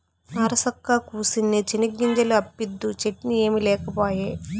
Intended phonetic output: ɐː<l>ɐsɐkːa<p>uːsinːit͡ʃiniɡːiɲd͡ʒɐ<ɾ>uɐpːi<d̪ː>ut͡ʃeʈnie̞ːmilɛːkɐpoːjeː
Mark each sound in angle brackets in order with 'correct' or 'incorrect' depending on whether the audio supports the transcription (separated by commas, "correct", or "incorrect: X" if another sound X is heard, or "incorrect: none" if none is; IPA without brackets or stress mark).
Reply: incorrect: ɾ, incorrect: k, incorrect: l, correct